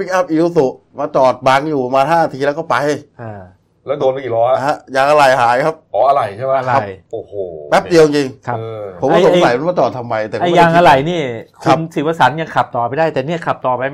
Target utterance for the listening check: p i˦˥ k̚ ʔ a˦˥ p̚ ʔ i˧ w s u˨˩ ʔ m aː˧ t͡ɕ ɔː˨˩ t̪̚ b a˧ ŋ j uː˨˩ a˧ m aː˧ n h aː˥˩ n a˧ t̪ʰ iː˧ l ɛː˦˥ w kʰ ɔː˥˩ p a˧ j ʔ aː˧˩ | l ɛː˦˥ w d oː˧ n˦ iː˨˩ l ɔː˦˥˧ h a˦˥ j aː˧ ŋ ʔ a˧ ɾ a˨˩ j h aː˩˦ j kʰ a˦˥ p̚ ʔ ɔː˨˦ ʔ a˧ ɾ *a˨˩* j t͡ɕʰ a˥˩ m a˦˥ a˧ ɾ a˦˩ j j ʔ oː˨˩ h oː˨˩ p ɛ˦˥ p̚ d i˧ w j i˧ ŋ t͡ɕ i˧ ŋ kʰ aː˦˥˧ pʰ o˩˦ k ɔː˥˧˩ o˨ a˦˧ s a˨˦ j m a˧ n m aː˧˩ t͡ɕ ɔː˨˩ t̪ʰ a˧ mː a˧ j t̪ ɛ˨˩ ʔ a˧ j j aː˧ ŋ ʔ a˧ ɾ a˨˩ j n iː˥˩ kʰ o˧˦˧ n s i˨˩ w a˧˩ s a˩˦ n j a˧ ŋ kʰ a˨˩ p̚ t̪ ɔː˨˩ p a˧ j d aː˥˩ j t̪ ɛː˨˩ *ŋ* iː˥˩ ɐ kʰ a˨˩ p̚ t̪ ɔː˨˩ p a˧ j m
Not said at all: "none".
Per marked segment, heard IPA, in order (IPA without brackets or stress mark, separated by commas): a˨˩, n